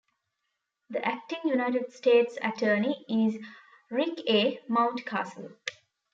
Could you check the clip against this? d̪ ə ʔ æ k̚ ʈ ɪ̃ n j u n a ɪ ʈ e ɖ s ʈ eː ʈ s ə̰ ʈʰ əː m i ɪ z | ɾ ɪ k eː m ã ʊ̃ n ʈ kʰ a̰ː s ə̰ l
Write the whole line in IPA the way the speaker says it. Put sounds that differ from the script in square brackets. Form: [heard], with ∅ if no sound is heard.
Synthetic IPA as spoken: d̪ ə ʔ æ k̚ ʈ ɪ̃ [ŋ] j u n a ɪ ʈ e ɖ s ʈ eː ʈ s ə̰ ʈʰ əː [n] i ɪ z | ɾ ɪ k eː m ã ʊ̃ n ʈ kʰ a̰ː s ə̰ l